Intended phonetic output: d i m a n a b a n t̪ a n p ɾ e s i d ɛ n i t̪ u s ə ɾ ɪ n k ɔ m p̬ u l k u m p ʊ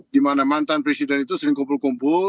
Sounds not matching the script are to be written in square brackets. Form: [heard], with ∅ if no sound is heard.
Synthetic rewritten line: d i m a n a [m] a n t̪ a n p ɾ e s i d ɛ n i t̪ u s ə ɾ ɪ [ŋ] k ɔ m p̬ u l k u m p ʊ